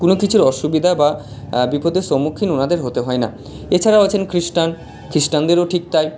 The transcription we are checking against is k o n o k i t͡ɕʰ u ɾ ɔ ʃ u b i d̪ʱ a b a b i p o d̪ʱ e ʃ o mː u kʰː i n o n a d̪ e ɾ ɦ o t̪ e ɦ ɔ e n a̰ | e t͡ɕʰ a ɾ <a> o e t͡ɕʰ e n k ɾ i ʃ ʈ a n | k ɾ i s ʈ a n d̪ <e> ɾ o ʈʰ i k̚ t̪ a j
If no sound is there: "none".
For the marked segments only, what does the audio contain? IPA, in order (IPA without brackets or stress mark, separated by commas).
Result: a, e